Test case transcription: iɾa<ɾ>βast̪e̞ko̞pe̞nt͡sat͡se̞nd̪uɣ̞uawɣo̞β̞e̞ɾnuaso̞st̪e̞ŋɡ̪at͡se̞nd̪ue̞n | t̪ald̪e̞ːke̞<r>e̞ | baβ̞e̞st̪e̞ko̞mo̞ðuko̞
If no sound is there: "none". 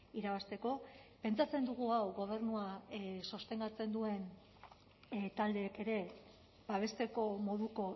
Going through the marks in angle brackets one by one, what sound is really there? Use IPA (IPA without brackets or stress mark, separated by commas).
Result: none, ɾ